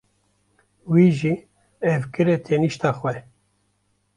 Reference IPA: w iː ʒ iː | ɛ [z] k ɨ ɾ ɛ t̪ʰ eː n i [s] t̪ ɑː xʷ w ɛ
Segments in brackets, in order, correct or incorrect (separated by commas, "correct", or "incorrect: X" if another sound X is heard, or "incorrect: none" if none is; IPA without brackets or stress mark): incorrect: v, incorrect: ʃ